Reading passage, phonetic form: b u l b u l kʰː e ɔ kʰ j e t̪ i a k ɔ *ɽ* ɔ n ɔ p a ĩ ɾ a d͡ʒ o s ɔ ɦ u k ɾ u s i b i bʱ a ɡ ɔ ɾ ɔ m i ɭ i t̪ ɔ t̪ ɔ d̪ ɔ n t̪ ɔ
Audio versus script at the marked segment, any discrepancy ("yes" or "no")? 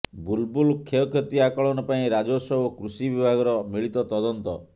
yes